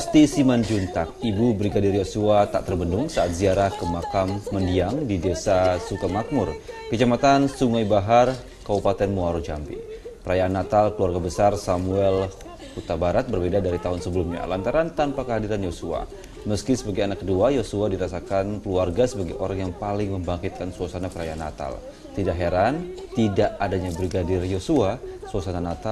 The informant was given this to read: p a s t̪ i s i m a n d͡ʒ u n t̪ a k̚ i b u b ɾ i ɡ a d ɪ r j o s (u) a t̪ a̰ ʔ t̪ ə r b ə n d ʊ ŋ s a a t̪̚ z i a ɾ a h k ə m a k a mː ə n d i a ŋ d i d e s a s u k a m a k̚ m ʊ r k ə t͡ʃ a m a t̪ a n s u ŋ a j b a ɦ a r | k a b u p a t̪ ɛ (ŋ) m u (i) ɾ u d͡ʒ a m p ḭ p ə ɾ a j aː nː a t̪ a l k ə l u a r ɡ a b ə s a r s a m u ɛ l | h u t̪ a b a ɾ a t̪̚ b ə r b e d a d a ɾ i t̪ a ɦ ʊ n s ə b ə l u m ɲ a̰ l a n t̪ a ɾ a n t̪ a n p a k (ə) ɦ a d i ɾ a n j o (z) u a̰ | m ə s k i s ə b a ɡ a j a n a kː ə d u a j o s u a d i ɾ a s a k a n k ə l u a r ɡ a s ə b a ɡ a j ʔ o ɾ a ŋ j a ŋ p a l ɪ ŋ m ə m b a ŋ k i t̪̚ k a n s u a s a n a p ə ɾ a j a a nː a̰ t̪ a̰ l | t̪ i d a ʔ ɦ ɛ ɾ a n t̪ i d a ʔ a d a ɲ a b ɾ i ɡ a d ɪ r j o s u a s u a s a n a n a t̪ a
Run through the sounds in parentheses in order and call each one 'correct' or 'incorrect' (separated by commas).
correct, incorrect, incorrect, correct, incorrect